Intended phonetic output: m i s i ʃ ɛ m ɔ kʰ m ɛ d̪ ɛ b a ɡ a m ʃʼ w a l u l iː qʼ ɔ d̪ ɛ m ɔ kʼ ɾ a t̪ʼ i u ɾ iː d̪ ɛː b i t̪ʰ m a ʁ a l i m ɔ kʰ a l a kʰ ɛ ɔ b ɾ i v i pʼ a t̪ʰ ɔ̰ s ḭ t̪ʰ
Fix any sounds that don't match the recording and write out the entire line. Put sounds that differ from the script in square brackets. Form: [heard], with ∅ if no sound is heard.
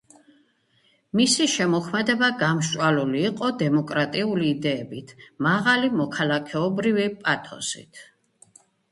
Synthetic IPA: m i s i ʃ ɛ m ɔ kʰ m ɛ d̪ ɛ b a ɡ a m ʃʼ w a l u l iː qʼ ɔ d̪ ɛ m ɔ kʼ ɾ a t̪ʼ i u [l] iː d̪ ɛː b i t̪ʰ m a ʁ a l i m ɔ kʰ a l a kʰ ɛ ɔ b ɾ i v i pʼ a t̪ʰ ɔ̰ s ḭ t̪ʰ